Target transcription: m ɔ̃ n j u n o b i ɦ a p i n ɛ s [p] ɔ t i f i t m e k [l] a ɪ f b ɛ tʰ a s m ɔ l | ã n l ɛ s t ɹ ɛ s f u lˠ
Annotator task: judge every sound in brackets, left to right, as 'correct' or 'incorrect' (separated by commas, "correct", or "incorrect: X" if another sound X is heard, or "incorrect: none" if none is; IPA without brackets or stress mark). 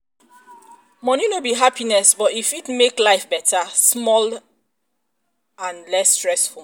incorrect: b, correct